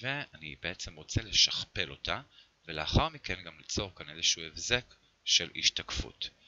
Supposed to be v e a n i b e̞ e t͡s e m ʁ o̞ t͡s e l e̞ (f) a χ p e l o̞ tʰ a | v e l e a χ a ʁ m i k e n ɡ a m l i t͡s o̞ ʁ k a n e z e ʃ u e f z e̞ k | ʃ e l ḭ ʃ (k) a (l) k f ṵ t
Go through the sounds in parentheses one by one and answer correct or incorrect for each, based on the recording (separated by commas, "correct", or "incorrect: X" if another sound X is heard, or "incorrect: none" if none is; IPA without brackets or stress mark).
incorrect: ʃ, incorrect: t, incorrect: none